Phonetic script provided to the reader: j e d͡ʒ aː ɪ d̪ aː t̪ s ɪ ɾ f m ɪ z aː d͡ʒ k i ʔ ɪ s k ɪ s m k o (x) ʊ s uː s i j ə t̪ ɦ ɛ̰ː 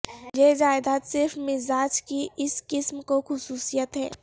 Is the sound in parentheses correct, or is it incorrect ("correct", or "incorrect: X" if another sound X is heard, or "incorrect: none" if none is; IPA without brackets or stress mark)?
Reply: correct